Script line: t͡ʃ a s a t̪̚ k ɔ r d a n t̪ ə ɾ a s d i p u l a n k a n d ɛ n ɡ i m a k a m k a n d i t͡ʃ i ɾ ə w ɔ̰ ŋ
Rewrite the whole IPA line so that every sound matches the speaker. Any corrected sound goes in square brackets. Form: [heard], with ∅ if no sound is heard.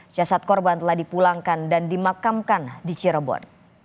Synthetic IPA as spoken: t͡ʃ a s a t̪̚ k ɔ r [b] a n t̪ ə [l] a [h] d i p u l a [ŋ] k a n d [a] n [d] i m a k a m k a n d i t͡ʃ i ɾ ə [b] ɔ̰ [n]